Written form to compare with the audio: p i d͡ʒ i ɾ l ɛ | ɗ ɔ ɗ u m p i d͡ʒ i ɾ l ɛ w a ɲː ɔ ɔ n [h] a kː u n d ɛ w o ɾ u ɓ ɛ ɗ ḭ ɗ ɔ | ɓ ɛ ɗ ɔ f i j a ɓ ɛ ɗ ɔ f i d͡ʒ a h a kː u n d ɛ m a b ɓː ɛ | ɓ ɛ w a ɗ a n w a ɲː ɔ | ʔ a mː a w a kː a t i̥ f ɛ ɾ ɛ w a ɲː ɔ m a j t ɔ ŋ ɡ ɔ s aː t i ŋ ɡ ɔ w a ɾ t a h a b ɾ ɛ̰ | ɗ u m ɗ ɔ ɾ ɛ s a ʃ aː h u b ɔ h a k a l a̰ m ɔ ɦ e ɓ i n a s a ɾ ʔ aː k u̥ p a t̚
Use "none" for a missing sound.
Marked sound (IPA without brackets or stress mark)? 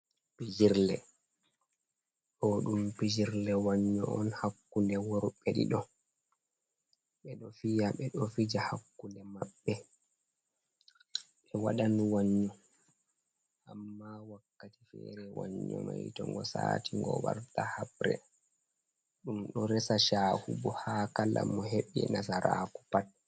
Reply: h